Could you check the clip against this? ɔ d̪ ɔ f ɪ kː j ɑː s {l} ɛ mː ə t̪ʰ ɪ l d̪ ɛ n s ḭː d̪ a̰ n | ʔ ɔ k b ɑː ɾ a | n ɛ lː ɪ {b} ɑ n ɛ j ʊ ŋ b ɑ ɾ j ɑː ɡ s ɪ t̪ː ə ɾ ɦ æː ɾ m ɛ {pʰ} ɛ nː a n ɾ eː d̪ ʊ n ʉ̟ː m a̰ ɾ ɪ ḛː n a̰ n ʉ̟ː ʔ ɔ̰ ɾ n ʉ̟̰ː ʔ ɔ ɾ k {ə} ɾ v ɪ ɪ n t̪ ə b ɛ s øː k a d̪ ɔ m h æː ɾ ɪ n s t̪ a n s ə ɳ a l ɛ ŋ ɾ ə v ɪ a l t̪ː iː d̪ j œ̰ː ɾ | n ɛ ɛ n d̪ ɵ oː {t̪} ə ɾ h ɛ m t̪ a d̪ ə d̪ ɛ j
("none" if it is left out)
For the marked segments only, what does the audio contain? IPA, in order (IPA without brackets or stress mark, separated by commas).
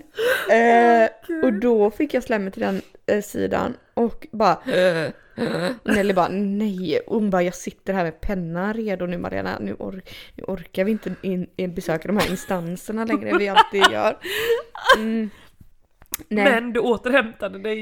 l, b, pʰ, a, t̪